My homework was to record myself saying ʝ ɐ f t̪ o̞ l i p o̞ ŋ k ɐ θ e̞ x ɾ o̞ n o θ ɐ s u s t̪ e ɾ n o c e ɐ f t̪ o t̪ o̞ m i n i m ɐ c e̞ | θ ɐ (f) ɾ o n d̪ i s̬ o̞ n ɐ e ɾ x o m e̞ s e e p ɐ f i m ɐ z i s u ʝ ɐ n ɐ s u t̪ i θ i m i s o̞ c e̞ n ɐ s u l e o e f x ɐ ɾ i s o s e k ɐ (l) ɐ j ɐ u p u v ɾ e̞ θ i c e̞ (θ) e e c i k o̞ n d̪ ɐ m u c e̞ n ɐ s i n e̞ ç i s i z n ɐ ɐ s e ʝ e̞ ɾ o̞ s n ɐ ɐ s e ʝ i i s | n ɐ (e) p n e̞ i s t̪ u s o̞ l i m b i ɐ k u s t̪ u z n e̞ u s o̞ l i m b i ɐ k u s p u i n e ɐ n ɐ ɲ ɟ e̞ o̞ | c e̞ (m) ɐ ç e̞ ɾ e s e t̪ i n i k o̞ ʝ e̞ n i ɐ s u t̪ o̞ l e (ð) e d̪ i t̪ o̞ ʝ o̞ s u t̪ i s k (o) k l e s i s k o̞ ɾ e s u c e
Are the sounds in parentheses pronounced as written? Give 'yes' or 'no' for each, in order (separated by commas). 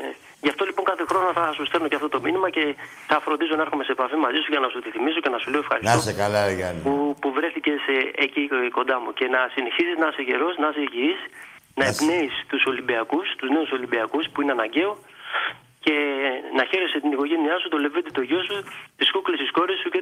yes, yes, no, yes, no, no, no